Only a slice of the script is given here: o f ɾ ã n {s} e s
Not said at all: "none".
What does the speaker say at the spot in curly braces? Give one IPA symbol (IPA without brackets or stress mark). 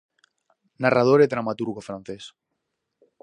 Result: θ